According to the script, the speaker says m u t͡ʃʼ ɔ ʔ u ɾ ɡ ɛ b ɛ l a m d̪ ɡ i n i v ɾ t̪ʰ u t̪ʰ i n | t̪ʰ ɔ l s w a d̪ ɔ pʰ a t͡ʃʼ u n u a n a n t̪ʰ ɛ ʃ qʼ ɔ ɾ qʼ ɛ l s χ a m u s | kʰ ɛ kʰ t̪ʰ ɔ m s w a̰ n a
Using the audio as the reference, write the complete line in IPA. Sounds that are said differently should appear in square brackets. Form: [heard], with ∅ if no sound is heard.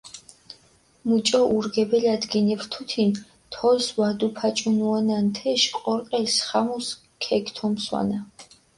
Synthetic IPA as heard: m u t͡ʃʼ ɔ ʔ u ɾ ɡ ɛ b ɛ l a [∅] d̪ ɡ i n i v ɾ t̪ʰ u t̪ʰ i n | t̪ʰ ɔ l s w a d̪ [u] pʰ a t͡ʃʼ u n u a n a n t̪ʰ ɛ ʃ qʼ ɔ ɾ qʼ ɛ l s χ a m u s | kʰ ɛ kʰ t̪ʰ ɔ m s w a̰ n a